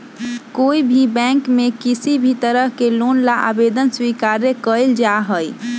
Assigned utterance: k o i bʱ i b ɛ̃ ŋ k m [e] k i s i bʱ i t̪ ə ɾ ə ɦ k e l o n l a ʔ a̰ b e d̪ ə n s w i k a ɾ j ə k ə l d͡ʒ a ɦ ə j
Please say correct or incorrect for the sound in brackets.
correct